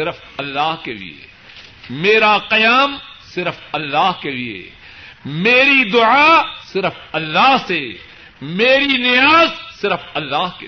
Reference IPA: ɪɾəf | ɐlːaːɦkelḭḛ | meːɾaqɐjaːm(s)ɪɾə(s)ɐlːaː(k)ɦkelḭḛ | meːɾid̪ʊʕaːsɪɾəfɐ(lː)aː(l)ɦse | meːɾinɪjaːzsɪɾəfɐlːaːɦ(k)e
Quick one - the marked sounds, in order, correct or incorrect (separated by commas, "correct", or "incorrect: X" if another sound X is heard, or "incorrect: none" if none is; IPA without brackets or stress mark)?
correct, incorrect: f, incorrect: none, correct, incorrect: none, correct